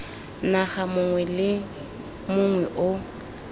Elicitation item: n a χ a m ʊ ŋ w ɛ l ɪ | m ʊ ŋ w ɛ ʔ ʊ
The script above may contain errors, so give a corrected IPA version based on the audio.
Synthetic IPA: n a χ a m ʊ ŋ w ɛ l ɪ | m ʊ ŋ w ɛ ʔ ʊ